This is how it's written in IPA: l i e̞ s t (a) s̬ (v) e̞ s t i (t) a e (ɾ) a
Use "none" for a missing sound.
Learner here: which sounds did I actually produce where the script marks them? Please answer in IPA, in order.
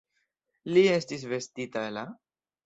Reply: i, v, t, l

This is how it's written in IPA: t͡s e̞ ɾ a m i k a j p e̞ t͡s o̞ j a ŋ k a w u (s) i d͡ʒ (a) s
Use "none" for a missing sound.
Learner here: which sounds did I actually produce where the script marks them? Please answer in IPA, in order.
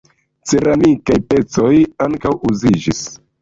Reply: z, i

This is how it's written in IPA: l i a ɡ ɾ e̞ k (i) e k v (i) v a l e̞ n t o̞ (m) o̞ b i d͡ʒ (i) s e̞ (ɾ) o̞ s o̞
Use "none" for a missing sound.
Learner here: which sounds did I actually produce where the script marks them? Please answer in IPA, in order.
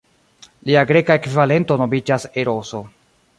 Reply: a, i, n, a, ɾ

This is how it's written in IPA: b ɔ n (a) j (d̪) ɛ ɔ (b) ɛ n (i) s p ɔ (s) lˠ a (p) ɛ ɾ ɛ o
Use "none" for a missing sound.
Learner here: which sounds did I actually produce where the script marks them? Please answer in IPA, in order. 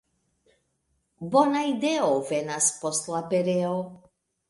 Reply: a, d̪, v, a, s, p

